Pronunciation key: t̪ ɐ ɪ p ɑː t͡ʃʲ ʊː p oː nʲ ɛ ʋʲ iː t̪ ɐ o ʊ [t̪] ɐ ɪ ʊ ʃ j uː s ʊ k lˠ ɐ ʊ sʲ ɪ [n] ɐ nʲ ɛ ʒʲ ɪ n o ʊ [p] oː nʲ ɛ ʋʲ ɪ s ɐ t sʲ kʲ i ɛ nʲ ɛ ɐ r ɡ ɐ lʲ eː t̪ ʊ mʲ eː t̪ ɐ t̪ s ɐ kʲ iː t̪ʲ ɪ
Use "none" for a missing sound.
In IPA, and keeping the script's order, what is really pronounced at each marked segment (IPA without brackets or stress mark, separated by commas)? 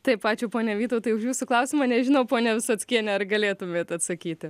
t̪, m, p